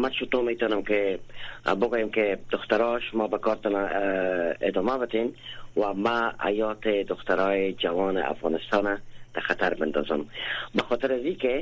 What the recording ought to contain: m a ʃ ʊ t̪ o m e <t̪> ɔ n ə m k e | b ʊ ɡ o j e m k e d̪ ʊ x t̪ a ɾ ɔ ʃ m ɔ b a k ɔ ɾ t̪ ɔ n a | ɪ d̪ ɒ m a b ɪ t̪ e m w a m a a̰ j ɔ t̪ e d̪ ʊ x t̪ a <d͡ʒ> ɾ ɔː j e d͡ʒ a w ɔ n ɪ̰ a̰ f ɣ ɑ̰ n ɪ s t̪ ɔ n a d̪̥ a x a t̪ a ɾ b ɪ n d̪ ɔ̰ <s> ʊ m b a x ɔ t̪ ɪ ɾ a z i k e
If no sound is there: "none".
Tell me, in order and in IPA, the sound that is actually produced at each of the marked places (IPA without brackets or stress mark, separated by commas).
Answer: t̪, none, z